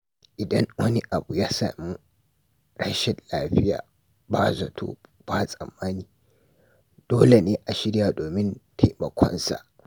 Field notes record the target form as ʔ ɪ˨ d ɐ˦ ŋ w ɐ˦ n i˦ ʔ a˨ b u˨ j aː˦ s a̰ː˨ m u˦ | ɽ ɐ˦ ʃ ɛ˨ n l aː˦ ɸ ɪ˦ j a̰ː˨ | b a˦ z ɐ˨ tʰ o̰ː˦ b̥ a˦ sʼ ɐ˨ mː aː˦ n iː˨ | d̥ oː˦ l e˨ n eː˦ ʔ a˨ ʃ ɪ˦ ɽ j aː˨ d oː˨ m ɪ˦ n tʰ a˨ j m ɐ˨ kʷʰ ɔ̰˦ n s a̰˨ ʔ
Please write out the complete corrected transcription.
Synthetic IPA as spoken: ʔ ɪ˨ d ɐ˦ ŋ w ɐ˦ n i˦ ʔ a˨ b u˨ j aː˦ s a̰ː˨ m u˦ | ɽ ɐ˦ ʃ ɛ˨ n l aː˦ ɸ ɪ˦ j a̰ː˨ | b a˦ z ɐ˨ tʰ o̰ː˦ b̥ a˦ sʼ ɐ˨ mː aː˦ n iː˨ | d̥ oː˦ l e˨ n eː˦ ʔ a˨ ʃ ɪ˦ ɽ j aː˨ d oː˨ m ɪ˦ n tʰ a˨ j m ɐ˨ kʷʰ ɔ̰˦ n s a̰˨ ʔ

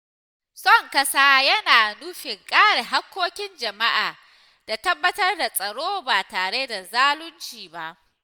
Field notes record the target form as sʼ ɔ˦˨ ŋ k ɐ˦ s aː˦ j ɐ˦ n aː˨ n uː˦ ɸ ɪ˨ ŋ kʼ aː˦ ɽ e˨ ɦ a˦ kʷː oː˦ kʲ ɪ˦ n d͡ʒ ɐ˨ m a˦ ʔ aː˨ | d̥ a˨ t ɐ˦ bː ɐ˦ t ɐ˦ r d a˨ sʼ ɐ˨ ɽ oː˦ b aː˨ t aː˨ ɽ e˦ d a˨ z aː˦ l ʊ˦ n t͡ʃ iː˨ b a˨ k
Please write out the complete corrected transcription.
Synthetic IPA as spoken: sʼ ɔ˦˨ ŋ k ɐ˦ s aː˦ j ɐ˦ n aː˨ n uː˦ ɸ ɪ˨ ŋ kʼ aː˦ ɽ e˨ ɦ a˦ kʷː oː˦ kʲ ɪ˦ n d͡ʒ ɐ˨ m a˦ ʔ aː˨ | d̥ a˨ t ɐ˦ bː ɐ˦ t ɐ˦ r d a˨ sʼ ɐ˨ ɽ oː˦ b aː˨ t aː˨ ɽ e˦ d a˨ z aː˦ l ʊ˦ n t͡ʃ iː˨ b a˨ ʔ

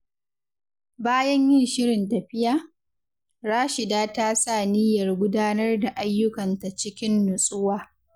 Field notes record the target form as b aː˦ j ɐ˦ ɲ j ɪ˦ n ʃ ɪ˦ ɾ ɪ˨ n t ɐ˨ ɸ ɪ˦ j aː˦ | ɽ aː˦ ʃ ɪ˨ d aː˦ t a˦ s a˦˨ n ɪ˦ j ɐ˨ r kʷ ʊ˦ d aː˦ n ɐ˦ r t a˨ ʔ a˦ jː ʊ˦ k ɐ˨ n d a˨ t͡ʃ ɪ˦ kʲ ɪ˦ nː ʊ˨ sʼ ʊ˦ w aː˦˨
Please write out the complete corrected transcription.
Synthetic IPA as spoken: b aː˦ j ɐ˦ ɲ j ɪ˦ n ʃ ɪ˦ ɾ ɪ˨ n t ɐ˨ ɸ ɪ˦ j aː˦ | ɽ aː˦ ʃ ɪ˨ d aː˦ t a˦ s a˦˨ n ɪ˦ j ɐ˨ r ɡʷ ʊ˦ d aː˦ n ɐ˦ r d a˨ ʔ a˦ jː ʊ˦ k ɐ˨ n t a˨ t͡ʃ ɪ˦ kʲ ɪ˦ nː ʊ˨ sʼ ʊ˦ w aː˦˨

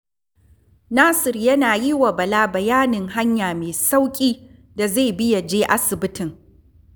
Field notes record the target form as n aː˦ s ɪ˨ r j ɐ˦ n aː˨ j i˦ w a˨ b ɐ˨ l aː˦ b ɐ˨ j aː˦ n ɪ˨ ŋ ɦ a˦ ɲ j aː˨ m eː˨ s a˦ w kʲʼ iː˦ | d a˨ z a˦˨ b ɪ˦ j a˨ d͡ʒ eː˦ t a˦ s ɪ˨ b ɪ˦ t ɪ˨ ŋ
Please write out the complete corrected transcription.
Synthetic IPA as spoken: n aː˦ s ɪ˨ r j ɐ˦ n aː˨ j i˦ w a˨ b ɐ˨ l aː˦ b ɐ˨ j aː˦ n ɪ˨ ŋ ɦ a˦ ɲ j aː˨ m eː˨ s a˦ w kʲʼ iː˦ | d a˨ z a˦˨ b ɪ˦ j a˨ d͡ʒ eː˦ ʔ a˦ s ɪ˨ b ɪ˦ t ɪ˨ ŋ

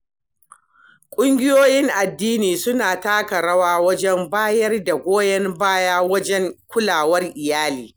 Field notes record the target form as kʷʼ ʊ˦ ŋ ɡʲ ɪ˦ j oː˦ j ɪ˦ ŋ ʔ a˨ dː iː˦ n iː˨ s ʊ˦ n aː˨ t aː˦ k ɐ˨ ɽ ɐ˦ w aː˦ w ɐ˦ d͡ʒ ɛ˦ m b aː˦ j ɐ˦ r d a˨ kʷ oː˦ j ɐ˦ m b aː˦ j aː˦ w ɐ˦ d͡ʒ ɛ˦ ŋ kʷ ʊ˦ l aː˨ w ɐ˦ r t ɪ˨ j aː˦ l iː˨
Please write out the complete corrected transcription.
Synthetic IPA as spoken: kʷʼ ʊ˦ ŋ ɡʲ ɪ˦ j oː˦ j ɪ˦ ŋ ʔ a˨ dː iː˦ n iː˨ s ʊ˦ n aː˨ t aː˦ k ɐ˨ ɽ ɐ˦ w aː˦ w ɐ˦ d͡ʒ ɛ˦ m b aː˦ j ɐ˦ r d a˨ ɡʷ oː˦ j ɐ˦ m b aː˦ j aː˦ w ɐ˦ d͡ʒ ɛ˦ ŋ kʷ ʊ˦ l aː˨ w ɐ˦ r ʔ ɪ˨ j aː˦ l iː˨

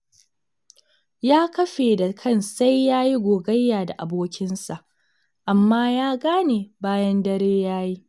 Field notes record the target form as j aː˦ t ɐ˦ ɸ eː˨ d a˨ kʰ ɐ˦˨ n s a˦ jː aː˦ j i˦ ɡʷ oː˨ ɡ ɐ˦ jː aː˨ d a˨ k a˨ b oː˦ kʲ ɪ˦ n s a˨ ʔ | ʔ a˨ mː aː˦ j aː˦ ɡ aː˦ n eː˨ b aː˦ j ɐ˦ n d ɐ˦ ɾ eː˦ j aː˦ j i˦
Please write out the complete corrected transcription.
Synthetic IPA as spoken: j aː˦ k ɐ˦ ɸ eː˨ d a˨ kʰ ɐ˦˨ n s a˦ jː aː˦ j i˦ ɡʷ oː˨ ɡ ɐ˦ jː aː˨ d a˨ ʔ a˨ b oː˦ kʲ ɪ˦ n s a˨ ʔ | ʔ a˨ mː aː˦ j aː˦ ɡ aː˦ n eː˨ b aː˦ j ɐ˦ n d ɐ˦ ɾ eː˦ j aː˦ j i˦

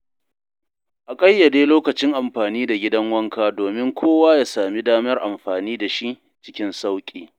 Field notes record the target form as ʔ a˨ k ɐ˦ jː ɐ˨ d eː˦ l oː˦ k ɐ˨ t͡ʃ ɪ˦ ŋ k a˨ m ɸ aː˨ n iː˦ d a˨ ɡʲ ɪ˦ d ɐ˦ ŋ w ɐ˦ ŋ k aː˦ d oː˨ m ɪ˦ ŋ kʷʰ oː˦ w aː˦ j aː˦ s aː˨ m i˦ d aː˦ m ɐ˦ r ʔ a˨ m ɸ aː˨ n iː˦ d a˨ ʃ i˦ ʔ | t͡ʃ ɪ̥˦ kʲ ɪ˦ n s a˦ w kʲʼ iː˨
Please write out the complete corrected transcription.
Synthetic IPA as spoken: ʔ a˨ kʼ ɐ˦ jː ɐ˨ d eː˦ l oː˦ k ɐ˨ t͡ʃ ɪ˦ ŋ ʔ a˨ m ɸ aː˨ n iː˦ d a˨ ɡʲ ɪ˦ d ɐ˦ ŋ w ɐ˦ ŋ k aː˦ d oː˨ m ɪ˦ ŋ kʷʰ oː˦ w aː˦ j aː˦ s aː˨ m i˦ d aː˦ m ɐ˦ r ʔ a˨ m ɸ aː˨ n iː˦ d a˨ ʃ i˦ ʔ | t͡ʃ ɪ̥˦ kʲ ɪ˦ n s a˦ w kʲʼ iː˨

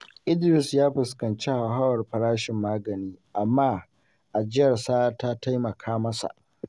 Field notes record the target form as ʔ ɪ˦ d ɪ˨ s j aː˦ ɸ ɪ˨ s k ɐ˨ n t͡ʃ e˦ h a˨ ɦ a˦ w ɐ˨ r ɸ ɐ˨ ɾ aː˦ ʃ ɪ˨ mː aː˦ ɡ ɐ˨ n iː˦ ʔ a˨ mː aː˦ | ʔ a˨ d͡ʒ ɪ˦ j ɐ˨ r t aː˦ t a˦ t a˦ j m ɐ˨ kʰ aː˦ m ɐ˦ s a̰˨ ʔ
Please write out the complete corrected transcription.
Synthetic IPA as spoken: ʔ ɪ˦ d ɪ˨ s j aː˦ ɸ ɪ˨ s k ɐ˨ n t͡ʃ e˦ h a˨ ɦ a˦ w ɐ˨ r ɸ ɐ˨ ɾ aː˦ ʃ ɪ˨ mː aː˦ ɡ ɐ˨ n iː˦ ʔ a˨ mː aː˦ | ʔ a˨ d͡ʒ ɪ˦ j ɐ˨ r s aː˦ t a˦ t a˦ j m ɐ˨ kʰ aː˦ m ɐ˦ s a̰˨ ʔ

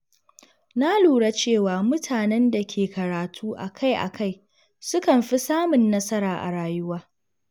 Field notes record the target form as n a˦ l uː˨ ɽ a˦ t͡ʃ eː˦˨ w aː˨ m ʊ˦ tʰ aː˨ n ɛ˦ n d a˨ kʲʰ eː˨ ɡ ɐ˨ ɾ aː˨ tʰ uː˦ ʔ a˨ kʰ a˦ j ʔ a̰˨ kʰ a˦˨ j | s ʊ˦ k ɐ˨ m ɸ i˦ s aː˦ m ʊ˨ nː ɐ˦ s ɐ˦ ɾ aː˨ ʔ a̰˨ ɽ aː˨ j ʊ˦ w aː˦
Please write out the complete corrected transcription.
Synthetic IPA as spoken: n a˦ l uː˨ ɽ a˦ t͡ʃ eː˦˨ w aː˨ m ʊ˦ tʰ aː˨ n ɛ˦ n d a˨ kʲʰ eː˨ k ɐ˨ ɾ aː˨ tʰ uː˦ ʔ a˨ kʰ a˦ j ʔ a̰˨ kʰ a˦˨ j | s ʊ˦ k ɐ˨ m ɸ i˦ s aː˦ m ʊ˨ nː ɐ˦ s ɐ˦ ɾ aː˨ ʔ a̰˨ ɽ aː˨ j ʊ˦ w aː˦

